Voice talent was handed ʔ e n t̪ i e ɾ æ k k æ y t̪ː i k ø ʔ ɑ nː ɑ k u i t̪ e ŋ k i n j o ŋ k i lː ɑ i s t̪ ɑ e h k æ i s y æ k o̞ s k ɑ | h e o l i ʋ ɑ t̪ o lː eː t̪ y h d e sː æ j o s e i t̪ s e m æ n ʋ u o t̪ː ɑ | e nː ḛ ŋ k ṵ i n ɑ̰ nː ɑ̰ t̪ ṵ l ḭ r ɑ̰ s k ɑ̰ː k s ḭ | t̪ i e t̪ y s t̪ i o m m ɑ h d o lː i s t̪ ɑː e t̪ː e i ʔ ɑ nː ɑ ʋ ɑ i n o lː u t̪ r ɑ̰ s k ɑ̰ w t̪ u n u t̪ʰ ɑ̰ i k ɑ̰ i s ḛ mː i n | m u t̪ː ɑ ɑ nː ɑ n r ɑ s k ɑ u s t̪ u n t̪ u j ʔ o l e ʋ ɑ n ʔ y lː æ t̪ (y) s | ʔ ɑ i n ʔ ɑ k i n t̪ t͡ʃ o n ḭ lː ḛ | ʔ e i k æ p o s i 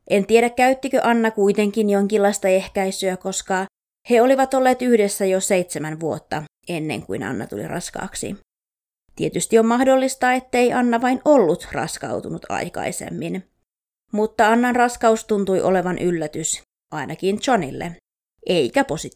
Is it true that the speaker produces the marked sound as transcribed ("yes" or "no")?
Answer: yes